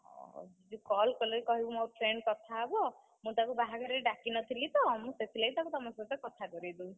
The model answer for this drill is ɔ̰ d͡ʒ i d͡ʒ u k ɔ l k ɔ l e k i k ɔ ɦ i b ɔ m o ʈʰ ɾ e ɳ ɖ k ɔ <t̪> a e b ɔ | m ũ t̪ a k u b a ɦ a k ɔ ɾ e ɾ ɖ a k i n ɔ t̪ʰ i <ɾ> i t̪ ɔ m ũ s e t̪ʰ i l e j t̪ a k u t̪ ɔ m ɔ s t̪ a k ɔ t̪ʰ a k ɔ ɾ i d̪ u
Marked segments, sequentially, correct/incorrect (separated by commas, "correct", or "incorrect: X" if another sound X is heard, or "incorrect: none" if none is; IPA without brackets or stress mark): incorrect: t̪ʰ, incorrect: l